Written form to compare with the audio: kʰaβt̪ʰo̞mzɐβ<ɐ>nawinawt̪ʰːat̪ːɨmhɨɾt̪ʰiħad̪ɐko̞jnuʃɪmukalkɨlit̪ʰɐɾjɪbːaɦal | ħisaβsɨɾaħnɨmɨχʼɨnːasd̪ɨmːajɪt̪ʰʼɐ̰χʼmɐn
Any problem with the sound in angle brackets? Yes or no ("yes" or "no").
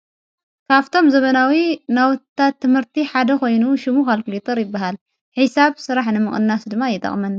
no